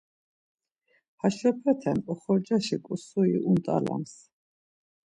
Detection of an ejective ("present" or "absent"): present